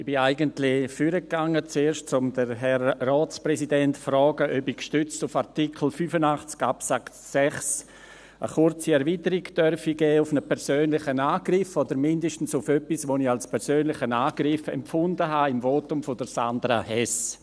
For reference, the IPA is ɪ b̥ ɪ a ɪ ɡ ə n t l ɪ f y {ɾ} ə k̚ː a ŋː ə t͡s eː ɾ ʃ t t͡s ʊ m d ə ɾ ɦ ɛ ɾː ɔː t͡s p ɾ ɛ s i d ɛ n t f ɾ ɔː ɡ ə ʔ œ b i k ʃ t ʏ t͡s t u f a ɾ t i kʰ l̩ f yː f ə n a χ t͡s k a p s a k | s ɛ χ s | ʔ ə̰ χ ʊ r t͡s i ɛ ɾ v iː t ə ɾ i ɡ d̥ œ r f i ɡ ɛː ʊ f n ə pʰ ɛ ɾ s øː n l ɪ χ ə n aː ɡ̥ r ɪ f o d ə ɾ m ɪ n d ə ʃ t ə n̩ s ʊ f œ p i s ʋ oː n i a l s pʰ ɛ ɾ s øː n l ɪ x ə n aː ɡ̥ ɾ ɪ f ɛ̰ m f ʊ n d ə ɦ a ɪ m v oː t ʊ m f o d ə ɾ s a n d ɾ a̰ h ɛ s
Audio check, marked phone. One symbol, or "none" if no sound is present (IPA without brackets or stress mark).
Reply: ɾ